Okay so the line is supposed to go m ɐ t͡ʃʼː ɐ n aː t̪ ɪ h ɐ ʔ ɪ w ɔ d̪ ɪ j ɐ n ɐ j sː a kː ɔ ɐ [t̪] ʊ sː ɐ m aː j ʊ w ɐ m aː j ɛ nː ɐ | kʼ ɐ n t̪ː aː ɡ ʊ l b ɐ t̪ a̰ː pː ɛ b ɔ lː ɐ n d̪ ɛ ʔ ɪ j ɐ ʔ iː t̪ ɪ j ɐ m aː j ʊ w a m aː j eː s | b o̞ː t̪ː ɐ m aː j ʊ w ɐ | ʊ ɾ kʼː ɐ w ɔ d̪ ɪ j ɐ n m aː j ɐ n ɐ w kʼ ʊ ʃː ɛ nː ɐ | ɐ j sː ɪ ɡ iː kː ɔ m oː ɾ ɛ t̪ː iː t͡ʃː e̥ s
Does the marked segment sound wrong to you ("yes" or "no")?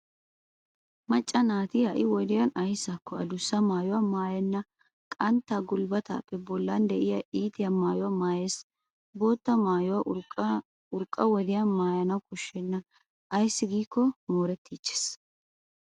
yes